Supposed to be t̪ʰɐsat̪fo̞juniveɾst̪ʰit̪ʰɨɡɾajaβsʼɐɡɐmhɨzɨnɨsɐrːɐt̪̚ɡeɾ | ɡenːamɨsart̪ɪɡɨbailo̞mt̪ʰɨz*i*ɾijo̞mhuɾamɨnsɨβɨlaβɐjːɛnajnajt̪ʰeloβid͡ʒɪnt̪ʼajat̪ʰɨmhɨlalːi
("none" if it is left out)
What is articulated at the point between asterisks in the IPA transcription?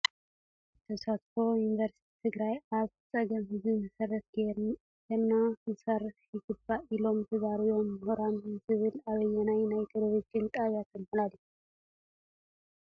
a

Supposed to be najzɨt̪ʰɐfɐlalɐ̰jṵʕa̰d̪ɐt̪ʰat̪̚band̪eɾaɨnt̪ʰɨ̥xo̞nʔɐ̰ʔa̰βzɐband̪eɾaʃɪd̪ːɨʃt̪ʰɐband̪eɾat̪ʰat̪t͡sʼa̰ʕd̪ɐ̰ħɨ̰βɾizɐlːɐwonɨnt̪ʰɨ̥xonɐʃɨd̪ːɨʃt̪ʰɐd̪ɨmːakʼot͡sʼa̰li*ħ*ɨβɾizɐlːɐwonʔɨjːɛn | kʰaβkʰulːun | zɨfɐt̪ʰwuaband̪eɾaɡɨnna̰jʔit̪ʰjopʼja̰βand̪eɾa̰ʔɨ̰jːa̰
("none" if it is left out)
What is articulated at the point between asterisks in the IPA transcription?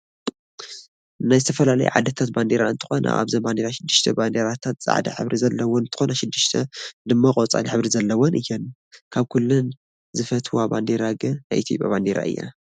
ħ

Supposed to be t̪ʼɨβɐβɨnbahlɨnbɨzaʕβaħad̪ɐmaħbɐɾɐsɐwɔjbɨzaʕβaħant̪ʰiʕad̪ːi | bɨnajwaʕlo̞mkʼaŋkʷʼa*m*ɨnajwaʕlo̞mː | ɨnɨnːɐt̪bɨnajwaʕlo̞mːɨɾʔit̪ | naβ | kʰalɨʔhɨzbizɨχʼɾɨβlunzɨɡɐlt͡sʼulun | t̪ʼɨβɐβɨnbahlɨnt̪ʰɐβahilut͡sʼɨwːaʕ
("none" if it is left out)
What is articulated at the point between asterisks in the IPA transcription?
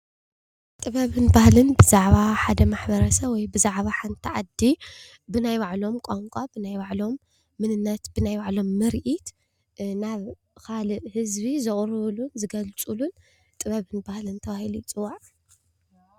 b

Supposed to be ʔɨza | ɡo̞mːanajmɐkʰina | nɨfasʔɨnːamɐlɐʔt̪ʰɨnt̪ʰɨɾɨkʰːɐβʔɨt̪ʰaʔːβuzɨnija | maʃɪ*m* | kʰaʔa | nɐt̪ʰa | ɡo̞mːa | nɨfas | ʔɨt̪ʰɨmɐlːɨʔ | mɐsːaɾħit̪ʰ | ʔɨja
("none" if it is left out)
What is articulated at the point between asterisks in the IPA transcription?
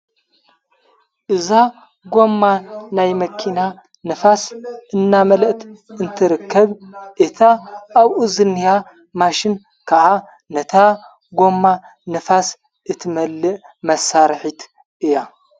n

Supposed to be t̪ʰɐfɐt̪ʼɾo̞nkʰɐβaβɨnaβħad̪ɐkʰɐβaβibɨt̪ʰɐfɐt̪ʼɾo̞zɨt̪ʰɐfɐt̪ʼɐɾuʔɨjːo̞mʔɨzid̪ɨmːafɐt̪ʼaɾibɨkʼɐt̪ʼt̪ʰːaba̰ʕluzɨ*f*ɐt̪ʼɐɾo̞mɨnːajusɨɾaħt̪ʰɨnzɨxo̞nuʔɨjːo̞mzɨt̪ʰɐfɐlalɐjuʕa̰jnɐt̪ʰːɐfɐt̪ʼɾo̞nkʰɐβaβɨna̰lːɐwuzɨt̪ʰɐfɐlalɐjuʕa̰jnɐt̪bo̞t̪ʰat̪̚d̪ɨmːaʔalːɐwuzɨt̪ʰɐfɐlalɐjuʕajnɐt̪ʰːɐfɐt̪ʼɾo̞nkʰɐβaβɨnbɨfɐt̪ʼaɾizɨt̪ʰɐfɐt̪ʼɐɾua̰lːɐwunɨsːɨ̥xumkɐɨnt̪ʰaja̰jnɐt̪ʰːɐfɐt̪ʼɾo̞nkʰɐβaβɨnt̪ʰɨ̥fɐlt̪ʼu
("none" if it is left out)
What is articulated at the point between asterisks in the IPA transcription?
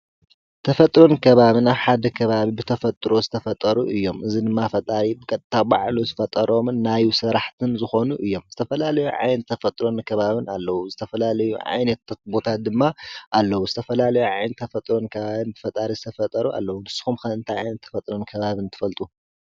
f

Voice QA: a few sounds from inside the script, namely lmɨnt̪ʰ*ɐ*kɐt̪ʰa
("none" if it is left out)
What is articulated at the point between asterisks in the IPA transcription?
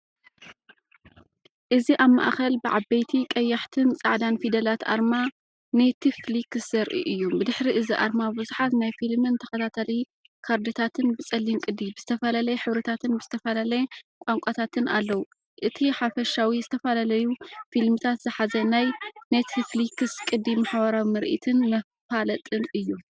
ɐ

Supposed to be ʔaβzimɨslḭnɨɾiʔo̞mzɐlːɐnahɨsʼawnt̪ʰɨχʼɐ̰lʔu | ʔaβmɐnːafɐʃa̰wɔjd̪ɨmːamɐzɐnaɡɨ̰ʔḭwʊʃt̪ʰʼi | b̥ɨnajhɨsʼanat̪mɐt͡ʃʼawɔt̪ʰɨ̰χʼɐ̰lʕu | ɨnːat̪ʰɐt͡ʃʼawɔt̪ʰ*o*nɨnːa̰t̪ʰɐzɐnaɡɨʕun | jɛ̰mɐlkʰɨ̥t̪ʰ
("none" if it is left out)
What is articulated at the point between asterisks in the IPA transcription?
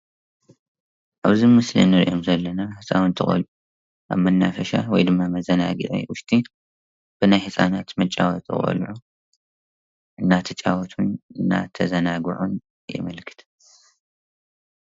u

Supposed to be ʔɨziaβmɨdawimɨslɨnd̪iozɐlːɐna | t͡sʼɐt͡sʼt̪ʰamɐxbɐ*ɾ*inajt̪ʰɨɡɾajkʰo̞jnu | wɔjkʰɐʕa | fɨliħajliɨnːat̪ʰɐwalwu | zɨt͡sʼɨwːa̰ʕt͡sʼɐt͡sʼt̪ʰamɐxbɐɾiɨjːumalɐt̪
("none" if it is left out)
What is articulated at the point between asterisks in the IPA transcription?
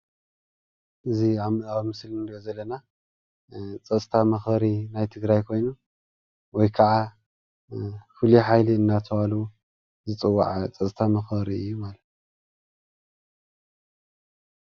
ɾ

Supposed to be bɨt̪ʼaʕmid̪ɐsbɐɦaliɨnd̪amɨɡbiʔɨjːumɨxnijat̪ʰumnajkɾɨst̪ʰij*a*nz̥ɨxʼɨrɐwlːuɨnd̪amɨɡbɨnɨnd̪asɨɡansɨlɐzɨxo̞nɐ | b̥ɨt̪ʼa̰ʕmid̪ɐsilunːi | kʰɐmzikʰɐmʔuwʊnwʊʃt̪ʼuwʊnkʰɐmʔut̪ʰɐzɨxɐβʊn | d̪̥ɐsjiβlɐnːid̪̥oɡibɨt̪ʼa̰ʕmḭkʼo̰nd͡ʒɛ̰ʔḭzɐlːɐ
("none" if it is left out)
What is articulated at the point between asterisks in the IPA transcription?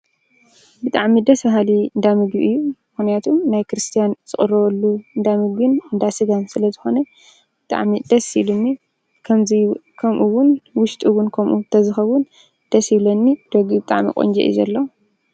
a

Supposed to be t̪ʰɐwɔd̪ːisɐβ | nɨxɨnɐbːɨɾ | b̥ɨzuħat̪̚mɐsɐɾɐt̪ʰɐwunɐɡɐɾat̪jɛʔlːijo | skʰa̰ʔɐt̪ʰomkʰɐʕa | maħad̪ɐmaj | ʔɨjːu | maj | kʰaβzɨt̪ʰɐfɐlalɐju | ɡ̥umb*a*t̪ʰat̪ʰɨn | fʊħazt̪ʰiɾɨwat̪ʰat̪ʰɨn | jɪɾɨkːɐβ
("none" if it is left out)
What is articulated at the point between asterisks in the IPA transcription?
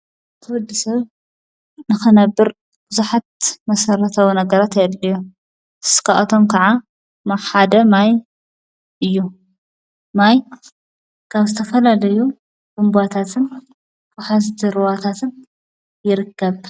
a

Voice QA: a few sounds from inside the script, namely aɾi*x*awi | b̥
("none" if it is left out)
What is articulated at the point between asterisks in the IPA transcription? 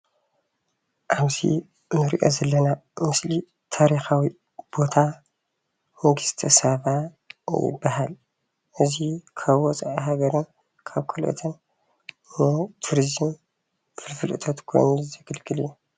x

